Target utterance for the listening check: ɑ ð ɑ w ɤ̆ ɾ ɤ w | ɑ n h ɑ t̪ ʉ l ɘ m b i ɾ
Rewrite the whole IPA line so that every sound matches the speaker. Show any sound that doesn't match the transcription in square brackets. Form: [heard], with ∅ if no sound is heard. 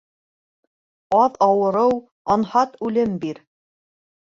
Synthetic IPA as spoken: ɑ ð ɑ w ɤ̆ ɾ ɤ w | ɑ n h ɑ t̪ ʉ l ɘ m b i ɾ

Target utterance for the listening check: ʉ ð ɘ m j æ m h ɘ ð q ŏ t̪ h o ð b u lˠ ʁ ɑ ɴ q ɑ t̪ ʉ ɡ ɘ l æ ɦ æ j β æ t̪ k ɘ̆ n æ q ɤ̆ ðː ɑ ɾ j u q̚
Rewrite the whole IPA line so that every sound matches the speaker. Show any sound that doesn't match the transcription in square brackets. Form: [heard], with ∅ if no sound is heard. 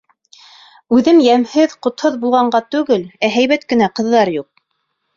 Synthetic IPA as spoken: ʉ ð ɘ m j æ m h ɘ ð q ŏ t̪ h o ð b u lˠ ʁ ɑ ɴ [ɢ] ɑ t̪ ʉ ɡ ɘ l æ ɦ æ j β æ t̪ k ɘ̆ n æ q ɤ̆ ðː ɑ ɾ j u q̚

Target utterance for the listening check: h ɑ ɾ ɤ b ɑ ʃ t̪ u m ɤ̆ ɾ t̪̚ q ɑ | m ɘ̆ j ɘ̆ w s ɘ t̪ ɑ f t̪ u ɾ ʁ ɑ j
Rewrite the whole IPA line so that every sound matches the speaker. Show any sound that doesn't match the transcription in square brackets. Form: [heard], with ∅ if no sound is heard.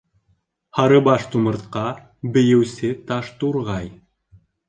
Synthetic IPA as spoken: h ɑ ɾ ɤ b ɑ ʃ t̪ u m ɤ̆ ɾ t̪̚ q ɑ | [b] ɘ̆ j ɘ̆ w s ɘ t̪ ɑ [ʃ] t̪ u ɾ ʁ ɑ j

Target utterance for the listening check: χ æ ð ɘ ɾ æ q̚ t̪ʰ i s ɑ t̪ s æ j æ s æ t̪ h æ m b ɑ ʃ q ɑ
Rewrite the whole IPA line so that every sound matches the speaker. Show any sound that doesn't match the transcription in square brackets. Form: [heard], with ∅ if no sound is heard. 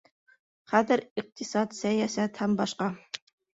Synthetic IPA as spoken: χ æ ð ɘ ɾ [i] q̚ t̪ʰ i s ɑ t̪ s æ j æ s æ t̪ h æ m b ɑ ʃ q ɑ

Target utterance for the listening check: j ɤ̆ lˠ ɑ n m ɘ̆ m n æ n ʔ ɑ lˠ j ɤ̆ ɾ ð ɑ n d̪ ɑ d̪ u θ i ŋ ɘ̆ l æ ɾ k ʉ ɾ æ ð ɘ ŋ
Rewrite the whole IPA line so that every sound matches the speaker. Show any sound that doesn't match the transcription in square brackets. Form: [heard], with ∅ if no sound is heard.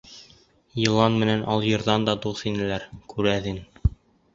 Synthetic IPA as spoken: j ɤ̆ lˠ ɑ n m ɘ̆ [∅] n æ n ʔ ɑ lˠ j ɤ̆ ɾ ð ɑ n d̪ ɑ d̪ u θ i [n] ɘ̆ l æ ɾ k ʉ ɾ æ ð ɘ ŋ

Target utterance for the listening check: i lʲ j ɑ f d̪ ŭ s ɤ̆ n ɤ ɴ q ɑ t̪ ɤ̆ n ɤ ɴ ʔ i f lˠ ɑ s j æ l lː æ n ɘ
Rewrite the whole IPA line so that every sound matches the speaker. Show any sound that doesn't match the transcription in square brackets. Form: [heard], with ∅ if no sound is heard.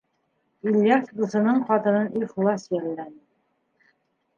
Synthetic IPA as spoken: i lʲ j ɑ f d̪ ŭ s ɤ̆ n ɤ ɴ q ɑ t̪ ɤ̆ n ɤ [n] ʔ i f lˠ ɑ s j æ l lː æ n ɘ

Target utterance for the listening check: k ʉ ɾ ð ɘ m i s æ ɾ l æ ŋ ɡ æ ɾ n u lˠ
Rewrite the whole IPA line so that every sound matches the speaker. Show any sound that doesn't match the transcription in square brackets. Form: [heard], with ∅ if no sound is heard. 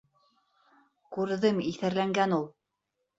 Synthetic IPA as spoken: k ʉ ɾ ð ɘ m i [θ] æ ɾ l æ ŋ ɡ æ [∅] n u lˠ

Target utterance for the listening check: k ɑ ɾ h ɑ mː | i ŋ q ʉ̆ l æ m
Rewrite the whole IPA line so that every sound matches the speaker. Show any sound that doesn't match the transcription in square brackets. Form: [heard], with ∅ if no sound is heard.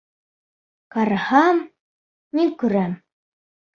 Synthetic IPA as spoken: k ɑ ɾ h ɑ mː | i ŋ [k] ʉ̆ [ɾ] æ m

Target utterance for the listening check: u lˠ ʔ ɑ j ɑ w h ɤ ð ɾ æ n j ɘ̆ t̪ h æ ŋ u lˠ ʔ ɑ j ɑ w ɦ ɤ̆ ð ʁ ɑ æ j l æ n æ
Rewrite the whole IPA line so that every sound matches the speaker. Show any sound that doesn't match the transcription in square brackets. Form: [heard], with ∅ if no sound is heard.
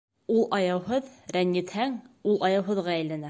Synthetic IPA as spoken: u lˠ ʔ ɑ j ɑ w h ɤ ð ɾ æ n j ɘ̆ t̪ h æ ŋ u lˠ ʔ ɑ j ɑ w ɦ ɤ̆ ð ʁ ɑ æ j l æ n æ

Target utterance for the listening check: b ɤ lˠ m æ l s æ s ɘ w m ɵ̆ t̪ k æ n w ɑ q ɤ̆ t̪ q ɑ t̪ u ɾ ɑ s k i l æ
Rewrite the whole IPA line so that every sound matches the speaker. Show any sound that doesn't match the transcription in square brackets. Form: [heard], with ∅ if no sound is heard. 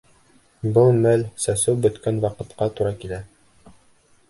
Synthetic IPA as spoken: b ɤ lˠ m æ l s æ s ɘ w [b] ɵ̆ t̪ k æ n w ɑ q ɤ̆ t̪ q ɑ t̪ u ɾ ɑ [∅] k i l æ

